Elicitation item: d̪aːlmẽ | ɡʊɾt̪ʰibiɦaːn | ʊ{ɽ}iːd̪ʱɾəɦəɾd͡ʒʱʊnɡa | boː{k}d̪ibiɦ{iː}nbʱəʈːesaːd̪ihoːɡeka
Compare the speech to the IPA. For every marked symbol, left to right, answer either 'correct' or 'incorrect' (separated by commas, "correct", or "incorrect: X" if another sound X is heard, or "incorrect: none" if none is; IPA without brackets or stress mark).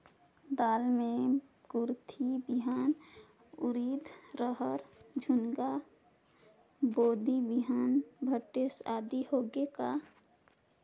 incorrect: ɾ, incorrect: none, incorrect: aː